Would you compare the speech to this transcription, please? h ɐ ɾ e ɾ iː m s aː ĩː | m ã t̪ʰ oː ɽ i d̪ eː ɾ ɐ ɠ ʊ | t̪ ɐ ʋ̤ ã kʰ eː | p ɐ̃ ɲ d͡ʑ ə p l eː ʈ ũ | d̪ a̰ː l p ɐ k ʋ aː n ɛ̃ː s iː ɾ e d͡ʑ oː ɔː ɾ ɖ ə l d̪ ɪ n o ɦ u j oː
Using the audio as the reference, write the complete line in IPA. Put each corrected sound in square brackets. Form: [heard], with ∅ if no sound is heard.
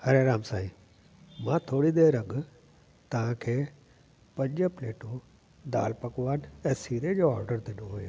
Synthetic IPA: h ɐ ɾ e ɾ [aː] m s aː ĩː | m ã t̪ʰ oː ɽ i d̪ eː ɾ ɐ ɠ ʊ | t̪ ɐ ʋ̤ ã kʰ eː | p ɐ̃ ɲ d͡ʑ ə p l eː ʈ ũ | d̪ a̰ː l p ɐ k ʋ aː n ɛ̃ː s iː ɾ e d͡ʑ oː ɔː ɾ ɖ ə [ɾ] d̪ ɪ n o ɦ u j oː